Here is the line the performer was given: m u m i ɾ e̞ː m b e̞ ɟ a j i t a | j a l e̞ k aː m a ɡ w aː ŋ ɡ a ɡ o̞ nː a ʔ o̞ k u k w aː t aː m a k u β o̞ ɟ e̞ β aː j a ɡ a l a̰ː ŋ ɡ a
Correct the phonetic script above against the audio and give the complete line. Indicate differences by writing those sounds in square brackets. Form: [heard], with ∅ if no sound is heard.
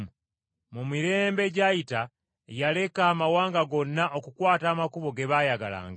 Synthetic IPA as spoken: m u m i ɾ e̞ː m b e̞ ɟ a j i t a | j a l e̞ k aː m a [∅] w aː ŋ ɡ a ɡ o̞ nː a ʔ o̞ k u k w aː t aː m a k u β o̞ [ɡ] e̞ β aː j a ɡ a l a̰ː ŋ ɡ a